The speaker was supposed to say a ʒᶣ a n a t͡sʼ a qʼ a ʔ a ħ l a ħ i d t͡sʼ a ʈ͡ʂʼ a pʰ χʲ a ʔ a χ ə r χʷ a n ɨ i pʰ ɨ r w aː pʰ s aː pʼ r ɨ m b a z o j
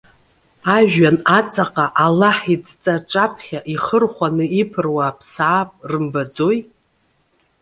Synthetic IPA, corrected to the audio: a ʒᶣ a n a t͡sʼ a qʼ a ʔ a l a ħ i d t͡sʼ a ʈ͡ʂʼ a pʰ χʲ a ʔ i χ ə r χʷ a n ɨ i pʰ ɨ r w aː pʰ s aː pʼ r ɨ m b a d͡z o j